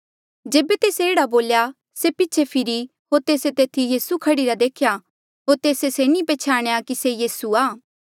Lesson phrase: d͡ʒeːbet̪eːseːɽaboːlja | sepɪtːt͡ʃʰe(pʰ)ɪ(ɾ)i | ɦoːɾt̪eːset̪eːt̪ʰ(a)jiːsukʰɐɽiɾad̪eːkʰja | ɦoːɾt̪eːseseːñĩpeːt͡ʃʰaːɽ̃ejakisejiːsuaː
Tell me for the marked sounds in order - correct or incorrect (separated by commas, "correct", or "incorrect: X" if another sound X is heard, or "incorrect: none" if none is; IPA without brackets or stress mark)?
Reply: correct, correct, incorrect: i